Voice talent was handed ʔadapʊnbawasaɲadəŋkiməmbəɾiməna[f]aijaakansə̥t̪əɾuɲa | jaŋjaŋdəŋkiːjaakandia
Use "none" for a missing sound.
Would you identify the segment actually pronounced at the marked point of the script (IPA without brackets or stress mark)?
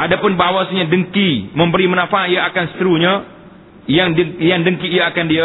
f